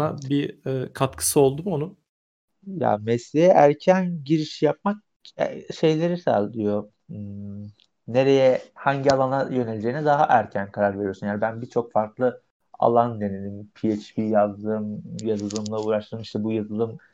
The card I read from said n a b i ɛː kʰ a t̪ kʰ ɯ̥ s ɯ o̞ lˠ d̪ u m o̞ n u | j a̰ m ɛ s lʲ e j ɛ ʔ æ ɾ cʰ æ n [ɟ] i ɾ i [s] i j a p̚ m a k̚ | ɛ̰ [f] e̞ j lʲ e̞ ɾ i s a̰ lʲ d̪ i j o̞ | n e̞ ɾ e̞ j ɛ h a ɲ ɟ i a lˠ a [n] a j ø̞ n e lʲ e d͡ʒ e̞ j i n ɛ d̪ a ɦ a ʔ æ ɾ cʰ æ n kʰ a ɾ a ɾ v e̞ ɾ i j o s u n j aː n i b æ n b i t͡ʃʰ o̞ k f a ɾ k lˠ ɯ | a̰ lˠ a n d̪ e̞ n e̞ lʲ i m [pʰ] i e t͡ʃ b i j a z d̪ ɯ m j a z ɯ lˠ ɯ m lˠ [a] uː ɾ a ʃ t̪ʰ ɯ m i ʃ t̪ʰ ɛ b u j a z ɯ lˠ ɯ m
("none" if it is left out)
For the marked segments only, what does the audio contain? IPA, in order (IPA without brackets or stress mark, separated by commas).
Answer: ɟ, ʃ, ʃ, n, pʰ, a